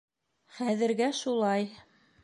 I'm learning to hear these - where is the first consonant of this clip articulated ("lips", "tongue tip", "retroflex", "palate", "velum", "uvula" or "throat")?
uvula